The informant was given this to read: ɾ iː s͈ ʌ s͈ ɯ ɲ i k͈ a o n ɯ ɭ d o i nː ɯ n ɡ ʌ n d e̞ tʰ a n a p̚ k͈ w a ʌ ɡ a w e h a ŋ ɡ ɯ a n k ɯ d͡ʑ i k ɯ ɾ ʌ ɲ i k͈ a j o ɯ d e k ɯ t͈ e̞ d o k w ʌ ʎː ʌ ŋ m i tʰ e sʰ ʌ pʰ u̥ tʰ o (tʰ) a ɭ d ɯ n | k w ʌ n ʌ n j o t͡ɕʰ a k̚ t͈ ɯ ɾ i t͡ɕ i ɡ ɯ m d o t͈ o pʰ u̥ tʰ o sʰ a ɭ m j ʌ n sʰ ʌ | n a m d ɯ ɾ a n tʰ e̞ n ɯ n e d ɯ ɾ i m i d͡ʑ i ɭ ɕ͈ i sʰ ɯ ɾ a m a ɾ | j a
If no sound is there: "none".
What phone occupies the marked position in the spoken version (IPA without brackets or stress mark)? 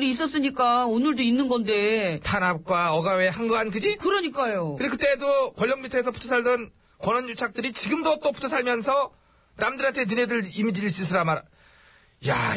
sʰ